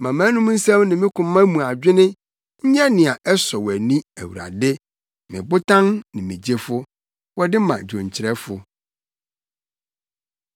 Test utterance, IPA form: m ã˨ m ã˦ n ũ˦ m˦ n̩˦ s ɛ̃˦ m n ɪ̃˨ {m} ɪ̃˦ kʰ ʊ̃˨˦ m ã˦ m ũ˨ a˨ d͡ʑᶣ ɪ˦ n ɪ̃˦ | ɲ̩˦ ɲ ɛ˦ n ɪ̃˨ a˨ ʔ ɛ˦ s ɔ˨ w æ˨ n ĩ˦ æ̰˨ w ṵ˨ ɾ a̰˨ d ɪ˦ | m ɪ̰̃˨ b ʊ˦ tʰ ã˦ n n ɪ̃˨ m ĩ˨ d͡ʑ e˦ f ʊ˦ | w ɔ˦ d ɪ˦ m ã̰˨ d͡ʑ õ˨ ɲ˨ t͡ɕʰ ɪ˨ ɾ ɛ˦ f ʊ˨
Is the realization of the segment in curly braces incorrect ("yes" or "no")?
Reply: no